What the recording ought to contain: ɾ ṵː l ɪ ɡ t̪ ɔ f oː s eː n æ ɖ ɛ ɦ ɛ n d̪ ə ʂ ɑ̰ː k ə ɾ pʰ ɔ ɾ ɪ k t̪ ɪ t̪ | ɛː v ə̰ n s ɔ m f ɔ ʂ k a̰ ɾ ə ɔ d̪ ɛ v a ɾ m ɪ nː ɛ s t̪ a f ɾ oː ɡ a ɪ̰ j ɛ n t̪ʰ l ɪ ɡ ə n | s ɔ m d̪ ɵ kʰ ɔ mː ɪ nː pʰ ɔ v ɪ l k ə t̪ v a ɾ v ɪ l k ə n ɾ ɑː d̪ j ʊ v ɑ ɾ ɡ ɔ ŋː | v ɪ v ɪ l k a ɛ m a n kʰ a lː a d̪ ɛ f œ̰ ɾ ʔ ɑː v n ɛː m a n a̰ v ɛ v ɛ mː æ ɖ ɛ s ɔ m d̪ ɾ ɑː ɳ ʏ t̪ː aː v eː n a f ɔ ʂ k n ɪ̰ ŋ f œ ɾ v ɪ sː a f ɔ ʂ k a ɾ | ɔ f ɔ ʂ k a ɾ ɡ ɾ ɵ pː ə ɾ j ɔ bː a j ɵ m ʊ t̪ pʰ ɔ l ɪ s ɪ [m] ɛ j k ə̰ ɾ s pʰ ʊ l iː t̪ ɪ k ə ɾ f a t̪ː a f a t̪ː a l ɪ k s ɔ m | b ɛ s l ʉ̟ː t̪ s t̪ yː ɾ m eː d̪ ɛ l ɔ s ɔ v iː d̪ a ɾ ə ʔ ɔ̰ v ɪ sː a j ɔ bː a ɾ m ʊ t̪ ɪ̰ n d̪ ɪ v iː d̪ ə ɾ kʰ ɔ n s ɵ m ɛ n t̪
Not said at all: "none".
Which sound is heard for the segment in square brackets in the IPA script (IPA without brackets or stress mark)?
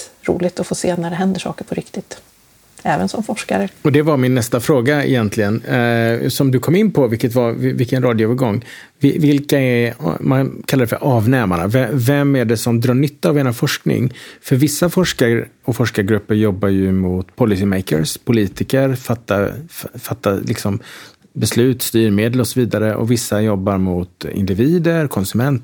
m